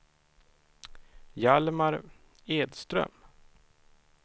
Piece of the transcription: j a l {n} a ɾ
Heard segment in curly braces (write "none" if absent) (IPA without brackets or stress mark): m